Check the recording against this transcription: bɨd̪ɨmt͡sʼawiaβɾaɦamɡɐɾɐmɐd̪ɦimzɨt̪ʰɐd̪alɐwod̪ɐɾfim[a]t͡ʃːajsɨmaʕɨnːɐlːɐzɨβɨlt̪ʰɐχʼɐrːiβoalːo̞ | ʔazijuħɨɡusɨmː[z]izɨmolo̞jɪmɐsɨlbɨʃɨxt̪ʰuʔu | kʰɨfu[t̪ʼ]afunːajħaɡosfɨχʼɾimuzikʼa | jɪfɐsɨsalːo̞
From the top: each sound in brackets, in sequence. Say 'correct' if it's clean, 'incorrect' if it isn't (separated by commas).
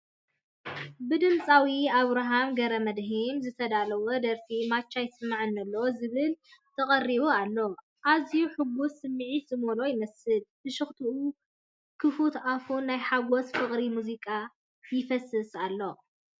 correct, incorrect, incorrect